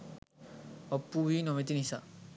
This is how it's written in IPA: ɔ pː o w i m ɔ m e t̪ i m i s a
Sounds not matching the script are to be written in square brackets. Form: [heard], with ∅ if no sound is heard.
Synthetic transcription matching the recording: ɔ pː [u] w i [n] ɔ m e t̪ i [n] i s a